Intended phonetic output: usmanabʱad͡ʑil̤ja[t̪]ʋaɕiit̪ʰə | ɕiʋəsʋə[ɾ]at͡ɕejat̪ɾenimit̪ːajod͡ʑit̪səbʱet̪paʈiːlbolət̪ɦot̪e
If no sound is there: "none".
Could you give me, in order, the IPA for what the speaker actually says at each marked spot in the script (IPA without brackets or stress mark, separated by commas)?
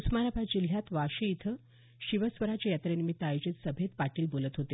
t̪, ɾ